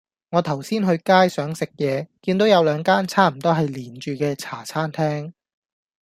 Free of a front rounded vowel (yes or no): no